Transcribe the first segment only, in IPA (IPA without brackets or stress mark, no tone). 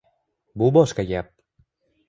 b